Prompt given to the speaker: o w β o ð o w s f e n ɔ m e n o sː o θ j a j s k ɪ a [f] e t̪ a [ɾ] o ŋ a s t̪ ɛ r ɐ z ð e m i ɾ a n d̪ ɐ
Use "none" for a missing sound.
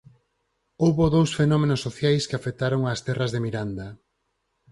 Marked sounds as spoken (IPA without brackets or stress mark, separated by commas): f, ɾ